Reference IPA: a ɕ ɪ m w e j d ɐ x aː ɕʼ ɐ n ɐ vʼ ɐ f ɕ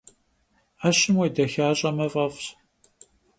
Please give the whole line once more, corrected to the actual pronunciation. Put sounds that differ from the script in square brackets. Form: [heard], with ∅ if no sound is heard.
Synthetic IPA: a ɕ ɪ m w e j d ɐ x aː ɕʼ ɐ [m] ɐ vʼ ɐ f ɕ